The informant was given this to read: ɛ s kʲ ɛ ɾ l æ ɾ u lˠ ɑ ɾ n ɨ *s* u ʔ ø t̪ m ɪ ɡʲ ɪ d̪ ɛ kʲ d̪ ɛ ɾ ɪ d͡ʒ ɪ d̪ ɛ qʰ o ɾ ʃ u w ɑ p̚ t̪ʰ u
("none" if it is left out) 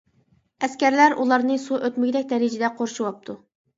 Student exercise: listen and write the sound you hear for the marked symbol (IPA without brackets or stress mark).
s